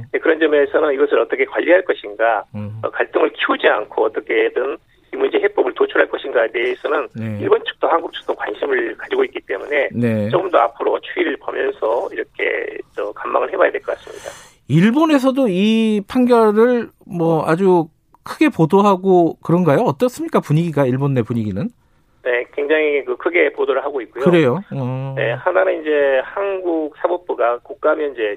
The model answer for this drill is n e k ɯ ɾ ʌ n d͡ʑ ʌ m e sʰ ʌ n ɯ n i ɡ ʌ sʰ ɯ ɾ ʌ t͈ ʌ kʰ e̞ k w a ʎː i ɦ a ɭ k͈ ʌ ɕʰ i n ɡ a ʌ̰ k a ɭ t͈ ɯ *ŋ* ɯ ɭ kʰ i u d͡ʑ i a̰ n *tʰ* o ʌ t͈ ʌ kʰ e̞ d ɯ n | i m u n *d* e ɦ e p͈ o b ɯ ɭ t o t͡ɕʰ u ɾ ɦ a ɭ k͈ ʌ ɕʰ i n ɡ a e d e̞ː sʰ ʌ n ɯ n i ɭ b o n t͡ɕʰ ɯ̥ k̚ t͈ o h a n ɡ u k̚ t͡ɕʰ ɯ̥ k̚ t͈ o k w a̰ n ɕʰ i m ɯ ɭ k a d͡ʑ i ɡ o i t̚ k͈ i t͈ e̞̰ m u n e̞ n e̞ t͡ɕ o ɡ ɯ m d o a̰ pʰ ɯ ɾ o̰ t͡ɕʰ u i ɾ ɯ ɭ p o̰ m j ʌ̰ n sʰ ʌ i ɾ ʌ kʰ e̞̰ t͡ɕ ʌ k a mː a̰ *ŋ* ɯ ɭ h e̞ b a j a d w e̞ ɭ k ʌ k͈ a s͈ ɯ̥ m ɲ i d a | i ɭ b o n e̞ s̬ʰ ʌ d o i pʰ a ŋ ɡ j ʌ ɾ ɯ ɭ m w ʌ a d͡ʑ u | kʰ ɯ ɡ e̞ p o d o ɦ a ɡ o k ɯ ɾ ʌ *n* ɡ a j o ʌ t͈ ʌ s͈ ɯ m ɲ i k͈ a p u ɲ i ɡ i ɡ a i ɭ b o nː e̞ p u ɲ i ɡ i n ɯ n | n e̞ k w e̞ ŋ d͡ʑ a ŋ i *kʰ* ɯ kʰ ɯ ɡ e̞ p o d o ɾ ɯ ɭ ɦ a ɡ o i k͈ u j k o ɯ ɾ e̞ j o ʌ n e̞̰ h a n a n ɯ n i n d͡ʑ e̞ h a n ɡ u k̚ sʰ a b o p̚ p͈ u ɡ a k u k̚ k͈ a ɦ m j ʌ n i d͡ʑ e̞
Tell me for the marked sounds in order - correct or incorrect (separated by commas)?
correct, incorrect, incorrect, correct, correct, incorrect